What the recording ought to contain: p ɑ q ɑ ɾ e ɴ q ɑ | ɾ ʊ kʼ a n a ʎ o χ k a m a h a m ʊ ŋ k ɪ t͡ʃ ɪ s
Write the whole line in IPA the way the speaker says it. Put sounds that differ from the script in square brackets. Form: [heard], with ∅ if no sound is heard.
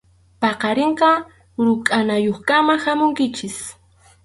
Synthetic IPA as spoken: p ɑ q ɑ ɾ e ɴ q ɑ | ɾ ʊ kʼ a n a [j] o χ k a m a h a m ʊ ŋ k ɪ t͡ʃ ɪ s